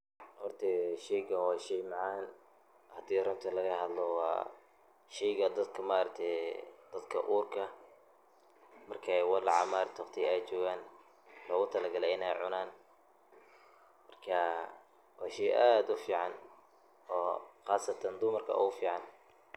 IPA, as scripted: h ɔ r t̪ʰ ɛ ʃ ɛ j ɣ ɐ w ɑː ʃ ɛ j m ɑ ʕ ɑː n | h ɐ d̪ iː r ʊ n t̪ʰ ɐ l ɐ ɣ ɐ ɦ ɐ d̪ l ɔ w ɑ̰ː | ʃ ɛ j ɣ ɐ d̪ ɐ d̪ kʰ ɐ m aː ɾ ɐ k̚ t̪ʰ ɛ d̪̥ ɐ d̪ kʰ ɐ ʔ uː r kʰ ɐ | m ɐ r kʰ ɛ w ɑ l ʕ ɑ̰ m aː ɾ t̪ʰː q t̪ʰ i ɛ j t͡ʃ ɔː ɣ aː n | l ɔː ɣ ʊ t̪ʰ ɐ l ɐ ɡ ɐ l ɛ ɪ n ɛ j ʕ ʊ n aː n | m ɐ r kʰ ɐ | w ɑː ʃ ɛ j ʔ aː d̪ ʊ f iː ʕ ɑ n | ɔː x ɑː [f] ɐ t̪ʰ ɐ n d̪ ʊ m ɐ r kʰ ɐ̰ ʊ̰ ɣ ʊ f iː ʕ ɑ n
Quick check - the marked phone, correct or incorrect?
incorrect